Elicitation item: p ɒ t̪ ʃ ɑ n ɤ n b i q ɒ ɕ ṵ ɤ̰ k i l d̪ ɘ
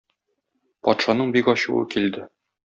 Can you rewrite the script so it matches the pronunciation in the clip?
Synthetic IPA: p ɒ t̪ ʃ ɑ n ɤ ɴ b i k ɒ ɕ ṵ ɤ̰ k i l d̪ ɘ

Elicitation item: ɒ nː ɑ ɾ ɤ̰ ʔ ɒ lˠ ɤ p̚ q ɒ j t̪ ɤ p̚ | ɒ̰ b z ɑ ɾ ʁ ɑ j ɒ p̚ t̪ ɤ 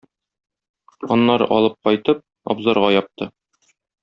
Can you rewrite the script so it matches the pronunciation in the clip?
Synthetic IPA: ɒ nː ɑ ɾ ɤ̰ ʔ ɒ lˠ ɤ p̚ q ɒ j t̪ ɤ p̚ | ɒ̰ b z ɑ ɾ ʁ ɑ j ɒ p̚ t̪ ɤ

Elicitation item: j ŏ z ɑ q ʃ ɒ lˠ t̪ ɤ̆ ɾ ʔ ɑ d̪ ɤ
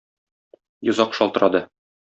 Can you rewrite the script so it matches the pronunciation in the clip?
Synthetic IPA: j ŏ z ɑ q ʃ ɒ lˠ t̪ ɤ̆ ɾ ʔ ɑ d̪ ɤ

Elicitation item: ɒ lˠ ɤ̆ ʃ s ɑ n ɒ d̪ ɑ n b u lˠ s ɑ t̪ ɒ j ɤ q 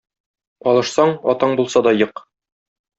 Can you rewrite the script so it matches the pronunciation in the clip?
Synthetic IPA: ɒ lˠ ɤ̆ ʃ s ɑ ɴ ɒ t̪ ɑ ɴ b u lˠ s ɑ d̪ ɒ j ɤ q

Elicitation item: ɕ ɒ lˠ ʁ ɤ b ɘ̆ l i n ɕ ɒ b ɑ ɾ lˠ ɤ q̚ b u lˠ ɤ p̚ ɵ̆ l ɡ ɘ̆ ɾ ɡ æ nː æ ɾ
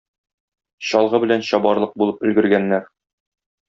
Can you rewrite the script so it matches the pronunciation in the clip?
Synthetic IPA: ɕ ɒ lˠ ʁ ɤ b ɘ̆ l æ n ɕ ɒ b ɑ ɾ lˠ ɤ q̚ b u lˠ ɤ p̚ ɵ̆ l ɡ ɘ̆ ɾ ɡ æ nː æ ɾ

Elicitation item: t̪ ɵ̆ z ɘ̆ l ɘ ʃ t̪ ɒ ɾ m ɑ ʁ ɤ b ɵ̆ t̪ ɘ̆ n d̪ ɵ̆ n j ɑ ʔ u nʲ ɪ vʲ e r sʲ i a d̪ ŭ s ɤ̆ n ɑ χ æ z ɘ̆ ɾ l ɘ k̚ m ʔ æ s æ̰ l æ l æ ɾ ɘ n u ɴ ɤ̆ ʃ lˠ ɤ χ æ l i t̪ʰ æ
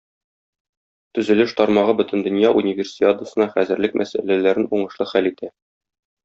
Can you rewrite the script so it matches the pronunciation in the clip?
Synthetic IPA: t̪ ɵ̆ z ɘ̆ l ɘ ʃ t̪ ɒ ɾ m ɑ ʁ ɤ b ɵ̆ t̪ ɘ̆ n d̪ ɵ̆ n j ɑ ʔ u nʲ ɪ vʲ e r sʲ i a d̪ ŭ s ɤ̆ n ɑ χ æ z ɘ̆ ɾ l ɘ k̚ m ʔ æ s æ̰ l æ l æ ɾ ɘ n u ɴ ɤ̆ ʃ lˠ ɤ χ æ l i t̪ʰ æ

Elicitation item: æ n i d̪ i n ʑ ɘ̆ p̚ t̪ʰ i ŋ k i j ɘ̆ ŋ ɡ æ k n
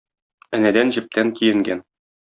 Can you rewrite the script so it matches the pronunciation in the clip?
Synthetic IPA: æ n æ d̪ æ n ʑ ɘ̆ p̚ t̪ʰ æ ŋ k i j ɘ̆ ŋ ɡ æ n

